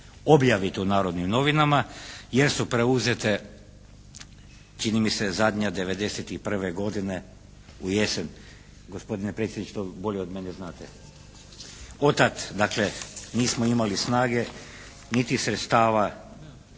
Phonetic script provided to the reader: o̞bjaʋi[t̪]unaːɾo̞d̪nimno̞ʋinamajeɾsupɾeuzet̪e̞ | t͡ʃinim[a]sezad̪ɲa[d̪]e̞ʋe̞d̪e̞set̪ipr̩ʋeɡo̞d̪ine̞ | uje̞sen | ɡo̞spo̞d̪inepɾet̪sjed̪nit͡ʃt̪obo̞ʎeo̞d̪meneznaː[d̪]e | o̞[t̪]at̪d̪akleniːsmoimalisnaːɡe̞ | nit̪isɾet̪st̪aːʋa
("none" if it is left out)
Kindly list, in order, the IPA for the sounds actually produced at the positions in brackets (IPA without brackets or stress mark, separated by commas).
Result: t̪, i, d̪, t̪, t̪